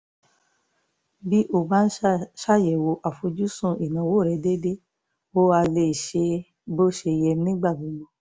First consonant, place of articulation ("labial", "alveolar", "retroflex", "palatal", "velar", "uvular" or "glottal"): labial